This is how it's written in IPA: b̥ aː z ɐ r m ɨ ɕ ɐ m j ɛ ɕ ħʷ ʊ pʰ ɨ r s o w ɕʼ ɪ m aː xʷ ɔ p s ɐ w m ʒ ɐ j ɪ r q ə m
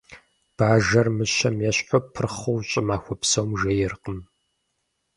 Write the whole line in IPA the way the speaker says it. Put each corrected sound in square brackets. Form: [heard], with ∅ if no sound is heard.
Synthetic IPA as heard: b̥ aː [ʒ] ɐ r m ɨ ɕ ɐ m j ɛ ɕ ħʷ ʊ pʰ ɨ r [χ] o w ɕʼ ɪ m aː xʷ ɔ p s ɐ w m ʒ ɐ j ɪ r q ə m